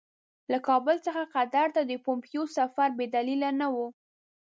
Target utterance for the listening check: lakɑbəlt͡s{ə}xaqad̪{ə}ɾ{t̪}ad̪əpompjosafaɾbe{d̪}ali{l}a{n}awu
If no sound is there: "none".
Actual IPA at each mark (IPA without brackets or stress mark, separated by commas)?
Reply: ə, a, t̪, d̪, l, n